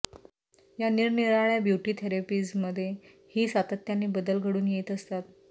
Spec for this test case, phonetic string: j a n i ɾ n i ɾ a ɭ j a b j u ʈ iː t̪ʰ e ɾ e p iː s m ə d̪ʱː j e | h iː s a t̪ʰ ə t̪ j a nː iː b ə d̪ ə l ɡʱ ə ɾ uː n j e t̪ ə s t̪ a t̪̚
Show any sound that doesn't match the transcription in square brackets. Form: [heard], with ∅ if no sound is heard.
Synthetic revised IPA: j a n i ɾ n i ɾ a ɭ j a b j u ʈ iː t̪ʰ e ɾ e p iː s m ə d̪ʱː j e | h iː s a [t̪] ə t̪ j a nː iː b ə d̪ ə l ɡʱ ə [ɽ] uː n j e t̪ ə s t̪ a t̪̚